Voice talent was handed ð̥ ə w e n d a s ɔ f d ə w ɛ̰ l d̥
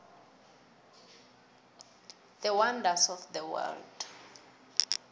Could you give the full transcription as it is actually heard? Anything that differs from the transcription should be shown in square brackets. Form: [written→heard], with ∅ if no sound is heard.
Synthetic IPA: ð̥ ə w [e→a] n d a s ɔ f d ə w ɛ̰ l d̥